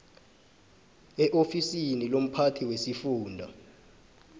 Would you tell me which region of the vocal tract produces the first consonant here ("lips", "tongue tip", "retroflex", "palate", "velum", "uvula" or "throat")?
throat